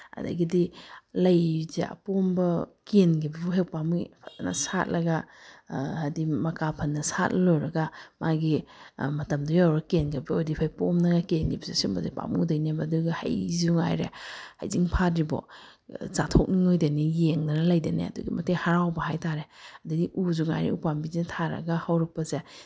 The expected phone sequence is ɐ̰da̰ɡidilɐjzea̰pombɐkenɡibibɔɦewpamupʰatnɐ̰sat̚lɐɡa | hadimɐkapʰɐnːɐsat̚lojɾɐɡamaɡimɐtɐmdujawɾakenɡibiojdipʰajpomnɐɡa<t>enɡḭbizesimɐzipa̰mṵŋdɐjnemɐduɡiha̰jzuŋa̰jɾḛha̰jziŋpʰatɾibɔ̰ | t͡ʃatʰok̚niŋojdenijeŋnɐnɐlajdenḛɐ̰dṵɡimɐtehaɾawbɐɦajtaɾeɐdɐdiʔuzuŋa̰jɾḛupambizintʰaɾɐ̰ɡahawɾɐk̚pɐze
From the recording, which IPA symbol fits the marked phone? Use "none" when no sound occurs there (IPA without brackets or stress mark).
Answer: k